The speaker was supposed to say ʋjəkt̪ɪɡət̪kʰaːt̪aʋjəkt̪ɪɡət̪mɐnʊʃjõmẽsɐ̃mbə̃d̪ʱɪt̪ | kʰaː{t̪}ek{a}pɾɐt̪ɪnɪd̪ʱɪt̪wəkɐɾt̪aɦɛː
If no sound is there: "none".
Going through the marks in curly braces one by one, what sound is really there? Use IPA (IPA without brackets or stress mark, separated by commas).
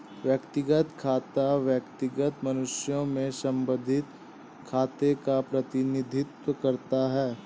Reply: t̪, a